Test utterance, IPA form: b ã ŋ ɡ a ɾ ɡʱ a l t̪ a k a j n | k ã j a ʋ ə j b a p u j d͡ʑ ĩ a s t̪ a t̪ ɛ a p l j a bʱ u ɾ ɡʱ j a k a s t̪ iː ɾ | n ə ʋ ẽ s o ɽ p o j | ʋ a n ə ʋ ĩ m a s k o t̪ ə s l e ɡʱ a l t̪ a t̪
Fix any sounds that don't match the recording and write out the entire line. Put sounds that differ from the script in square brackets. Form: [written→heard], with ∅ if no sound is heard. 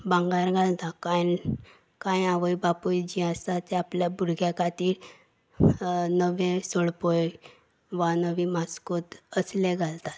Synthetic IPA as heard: b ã ŋ ɡ a ɾ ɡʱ a l t̪ a k a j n | k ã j a ʋ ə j b a p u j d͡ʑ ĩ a s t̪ a t̪ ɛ a p l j a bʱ u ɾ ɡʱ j a k a [s→∅] t̪ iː ɾ | n ə ʋ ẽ s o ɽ p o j | ʋ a n ə ʋ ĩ m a s k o t̪ ə s l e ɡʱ a l t̪ a t̪

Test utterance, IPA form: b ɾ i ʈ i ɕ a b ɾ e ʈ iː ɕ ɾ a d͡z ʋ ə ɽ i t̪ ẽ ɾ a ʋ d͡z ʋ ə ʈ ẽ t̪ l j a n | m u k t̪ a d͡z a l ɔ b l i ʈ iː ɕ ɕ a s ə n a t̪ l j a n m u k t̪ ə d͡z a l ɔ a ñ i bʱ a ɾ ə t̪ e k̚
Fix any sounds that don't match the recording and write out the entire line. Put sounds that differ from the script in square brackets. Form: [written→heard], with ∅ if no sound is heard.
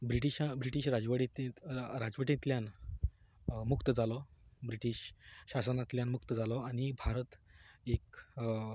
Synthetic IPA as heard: b ɾ i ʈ i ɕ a b ɾ [e→i] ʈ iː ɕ ɾ a d͡z ʋ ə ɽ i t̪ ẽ ɾ a [ʋ→∅] d͡z ʋ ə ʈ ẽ t̪ l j a n | m u k t̪ [a→ə] d͡z a l ɔ b [l→ɾ] i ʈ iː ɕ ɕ a s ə n a t̪ l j a n m u k t̪ ə d͡z a l ɔ a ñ i bʱ a ɾ ə t̪ e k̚

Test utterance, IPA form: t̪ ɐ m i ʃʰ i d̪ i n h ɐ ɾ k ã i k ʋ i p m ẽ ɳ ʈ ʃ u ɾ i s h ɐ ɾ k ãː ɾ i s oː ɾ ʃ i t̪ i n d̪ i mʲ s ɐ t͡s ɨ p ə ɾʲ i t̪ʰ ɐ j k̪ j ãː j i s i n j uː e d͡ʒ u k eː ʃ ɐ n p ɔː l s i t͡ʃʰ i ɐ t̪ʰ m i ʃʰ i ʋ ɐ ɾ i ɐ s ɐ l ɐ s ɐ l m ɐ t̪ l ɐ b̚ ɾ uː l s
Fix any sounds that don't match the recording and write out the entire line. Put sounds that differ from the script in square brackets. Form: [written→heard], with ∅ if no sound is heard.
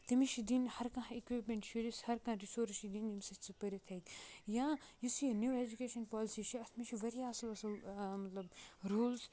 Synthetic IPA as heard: t̪ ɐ m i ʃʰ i d̪ i n h ɐ ɾ k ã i k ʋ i p m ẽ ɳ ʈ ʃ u ɾ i s h ɐ ɾ k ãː ɾ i s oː ɾ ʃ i [t̪→d̪] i n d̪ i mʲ s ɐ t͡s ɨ p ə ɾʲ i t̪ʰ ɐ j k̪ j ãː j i s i n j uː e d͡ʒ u k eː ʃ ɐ n p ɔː l s i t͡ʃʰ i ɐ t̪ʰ m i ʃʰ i ʋ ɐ ɾ i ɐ s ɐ l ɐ s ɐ l m ɐ t̪ l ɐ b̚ ɾ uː l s

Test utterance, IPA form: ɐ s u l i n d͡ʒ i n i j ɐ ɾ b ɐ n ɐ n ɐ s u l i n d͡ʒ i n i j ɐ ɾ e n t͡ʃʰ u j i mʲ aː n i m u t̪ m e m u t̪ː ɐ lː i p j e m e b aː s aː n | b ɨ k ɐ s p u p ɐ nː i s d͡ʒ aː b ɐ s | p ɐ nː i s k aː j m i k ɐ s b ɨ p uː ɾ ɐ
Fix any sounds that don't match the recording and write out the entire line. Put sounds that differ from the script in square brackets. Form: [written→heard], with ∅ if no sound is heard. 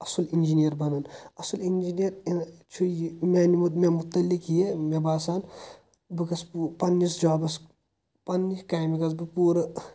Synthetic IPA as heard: ɐ s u l i n d͡ʒ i n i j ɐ ɾ b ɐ n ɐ n ɐ s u l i n d͡ʒ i n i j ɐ ɾ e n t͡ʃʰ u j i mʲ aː n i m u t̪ m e m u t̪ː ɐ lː i [p→k] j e m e b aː s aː n | b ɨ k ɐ s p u p ɐ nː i s d͡ʒ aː b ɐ s | p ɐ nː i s k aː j m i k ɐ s b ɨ p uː ɾ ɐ

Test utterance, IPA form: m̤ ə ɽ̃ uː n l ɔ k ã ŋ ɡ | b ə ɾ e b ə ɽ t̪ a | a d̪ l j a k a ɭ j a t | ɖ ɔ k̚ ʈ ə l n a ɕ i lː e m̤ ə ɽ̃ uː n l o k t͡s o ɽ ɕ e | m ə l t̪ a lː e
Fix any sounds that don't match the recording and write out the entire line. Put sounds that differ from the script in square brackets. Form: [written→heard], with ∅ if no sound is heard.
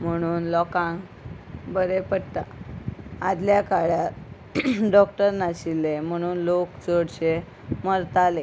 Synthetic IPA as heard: m̤ ə ɽ̃ uː n l ɔ k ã ŋ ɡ | b ə ɾ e [b→p] ə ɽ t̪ a | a d̪ l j a k a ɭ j a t | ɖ ɔ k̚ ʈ ə [l→ɾ] n a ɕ i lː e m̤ ə ɽ̃ uː n l o k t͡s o ɽ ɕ e | m ə [l→ɾ] t̪ a [lː→l] e

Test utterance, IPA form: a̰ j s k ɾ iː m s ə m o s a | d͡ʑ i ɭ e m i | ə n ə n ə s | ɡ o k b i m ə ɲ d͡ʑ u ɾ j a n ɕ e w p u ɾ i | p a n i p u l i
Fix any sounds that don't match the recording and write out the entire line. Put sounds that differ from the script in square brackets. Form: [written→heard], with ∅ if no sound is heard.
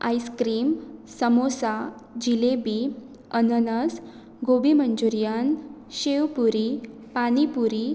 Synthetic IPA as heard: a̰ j s k ɾ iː m s ə m o s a | d͡ʑ i [ɭ→l] e [m→b] i | ə n ə n ə s | ɡ o [k→∅] b i m ə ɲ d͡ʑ u ɾ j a n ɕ e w p u ɾ i | p a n i p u [l→ɾ] i

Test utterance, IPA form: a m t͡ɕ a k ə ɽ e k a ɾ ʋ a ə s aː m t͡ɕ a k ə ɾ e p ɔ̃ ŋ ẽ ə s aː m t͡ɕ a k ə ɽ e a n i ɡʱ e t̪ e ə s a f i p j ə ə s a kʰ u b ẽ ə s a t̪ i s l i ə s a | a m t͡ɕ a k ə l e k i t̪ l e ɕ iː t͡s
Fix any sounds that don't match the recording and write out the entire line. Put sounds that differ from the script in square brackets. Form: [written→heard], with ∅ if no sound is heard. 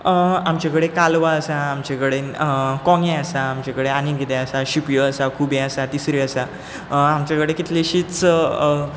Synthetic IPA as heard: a m t͡ɕ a k ə ɽ e k a [ɾ→l] ʋ a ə s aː m t͡ɕ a k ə [ɾ→ɽ] e [p→k] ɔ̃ ŋ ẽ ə s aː m t͡ɕ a k ə ɽ e a n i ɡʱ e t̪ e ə s a [f→ɕ] i p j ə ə s a kʰ u b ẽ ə s a t̪ i s [l→ɾ] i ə s a | a m t͡ɕ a k ə [l→ɽ] e k i t̪ l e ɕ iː t͡s

